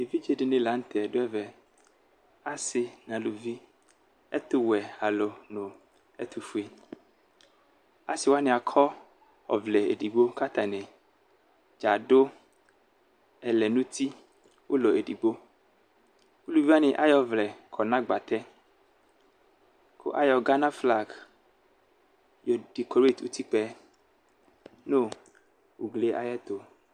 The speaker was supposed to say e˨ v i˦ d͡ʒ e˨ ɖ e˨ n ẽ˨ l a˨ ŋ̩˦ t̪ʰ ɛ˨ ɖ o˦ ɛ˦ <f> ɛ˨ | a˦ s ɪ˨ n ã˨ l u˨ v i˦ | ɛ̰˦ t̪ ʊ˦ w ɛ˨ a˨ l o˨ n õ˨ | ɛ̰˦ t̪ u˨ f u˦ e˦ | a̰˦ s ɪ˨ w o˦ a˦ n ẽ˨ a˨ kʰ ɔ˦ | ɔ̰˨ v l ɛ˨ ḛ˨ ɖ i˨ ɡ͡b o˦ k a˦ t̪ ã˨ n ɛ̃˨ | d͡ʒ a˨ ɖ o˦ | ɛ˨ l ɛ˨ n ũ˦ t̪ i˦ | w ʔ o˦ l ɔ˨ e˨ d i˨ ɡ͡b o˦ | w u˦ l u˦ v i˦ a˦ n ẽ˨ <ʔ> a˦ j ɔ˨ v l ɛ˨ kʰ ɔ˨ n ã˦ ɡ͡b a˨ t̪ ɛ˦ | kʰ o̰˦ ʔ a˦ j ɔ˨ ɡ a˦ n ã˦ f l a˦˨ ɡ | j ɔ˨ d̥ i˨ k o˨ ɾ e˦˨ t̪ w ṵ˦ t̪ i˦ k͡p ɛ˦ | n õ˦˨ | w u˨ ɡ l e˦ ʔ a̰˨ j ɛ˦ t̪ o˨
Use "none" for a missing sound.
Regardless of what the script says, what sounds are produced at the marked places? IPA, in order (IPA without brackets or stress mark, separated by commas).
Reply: v, ʔ